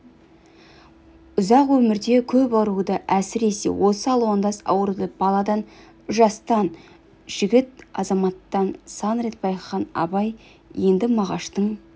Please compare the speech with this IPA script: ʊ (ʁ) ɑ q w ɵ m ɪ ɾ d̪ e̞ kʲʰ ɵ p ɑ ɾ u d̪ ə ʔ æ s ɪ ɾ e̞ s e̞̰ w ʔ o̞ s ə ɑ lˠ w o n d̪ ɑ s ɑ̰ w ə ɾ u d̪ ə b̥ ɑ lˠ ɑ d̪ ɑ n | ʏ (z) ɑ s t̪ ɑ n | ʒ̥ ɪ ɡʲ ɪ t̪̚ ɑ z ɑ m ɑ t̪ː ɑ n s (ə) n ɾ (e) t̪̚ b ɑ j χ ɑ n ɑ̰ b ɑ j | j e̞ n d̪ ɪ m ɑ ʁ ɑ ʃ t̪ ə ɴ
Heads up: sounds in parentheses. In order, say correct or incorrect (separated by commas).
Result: incorrect, incorrect, incorrect, correct